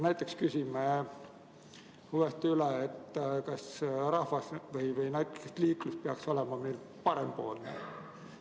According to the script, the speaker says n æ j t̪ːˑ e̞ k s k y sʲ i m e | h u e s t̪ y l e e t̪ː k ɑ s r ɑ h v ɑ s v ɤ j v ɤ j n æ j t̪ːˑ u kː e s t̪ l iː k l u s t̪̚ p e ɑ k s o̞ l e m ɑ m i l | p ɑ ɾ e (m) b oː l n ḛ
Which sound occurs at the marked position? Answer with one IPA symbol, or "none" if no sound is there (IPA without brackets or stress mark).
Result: m